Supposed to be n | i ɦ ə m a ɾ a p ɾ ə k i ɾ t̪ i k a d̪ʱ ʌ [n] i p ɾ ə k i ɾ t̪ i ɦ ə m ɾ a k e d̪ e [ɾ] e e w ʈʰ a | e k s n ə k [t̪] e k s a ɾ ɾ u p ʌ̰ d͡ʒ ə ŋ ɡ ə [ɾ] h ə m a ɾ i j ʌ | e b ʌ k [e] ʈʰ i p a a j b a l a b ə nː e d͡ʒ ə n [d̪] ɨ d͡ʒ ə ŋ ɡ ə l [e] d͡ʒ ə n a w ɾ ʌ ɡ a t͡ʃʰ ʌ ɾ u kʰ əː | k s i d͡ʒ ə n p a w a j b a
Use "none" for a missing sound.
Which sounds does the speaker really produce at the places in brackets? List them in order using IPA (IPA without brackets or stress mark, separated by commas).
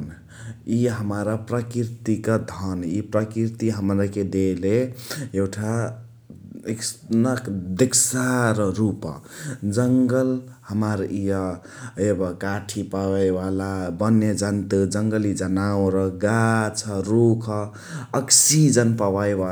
n, l, d̪, l, a, t̪, i